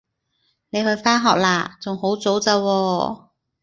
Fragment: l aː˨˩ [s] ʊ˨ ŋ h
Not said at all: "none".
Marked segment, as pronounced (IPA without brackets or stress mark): t͡s